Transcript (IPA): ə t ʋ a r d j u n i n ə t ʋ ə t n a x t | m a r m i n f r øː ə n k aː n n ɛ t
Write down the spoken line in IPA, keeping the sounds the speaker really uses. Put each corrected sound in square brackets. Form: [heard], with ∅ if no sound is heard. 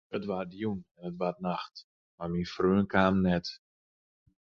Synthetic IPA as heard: ə t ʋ a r d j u n [ɛ] n ə t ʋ [a] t n a x t | m a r m i n f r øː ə n k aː [m] n ɛ t